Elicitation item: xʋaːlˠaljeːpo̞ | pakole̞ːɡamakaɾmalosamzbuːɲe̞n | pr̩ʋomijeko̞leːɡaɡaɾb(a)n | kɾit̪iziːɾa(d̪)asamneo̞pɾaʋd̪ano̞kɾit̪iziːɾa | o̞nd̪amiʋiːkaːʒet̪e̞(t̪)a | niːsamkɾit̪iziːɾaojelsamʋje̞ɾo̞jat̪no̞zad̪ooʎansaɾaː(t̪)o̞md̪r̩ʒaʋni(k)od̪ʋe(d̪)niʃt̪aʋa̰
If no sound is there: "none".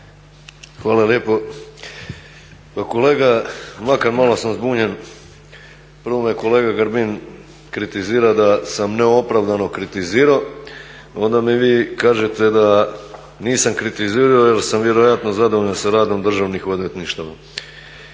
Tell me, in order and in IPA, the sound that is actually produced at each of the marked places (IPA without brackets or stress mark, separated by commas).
i, d̪, d̪, d̪, x, t̪